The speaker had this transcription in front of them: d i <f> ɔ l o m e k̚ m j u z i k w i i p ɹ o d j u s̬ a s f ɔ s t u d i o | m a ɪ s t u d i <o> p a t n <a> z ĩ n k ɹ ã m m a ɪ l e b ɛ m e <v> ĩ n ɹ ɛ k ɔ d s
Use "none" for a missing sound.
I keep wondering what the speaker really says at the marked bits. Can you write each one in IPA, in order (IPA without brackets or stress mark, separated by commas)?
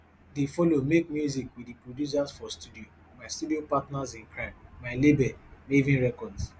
f, o, a, v